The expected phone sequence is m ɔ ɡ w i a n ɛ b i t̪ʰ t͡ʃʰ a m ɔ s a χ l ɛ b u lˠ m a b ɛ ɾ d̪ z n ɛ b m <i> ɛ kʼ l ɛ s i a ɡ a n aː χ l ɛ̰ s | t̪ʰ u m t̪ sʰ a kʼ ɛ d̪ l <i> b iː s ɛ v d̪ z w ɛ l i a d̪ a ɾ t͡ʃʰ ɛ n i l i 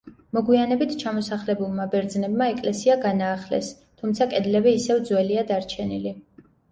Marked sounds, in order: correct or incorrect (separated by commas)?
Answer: incorrect, incorrect